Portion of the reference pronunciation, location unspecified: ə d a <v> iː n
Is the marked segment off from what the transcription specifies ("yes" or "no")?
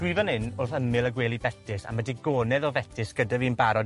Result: no